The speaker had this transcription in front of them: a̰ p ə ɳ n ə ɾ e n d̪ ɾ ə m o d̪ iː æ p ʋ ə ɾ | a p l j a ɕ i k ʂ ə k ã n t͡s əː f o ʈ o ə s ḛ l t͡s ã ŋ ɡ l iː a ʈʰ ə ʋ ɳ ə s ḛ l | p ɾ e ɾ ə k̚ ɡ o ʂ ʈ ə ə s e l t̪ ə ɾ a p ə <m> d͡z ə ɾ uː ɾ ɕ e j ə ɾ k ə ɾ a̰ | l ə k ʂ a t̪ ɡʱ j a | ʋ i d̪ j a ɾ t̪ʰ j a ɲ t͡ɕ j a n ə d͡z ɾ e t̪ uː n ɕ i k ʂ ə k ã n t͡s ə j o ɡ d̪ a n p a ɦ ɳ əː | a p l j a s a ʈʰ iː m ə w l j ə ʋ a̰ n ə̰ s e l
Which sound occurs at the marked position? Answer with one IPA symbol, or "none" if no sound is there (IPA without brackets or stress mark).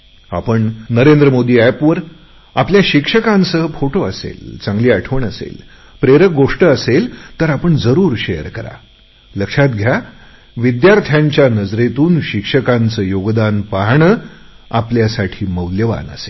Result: ɳ